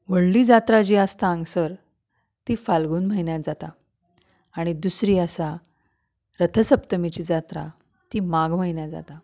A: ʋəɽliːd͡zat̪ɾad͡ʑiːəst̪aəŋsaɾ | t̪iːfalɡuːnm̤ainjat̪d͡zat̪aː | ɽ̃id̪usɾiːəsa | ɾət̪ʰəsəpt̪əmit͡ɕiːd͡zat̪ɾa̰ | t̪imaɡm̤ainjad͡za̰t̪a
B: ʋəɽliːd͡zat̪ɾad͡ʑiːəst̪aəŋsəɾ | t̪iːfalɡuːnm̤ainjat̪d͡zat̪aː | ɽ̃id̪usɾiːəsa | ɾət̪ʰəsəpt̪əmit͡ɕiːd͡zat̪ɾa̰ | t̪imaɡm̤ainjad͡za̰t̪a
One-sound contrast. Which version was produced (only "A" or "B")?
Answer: B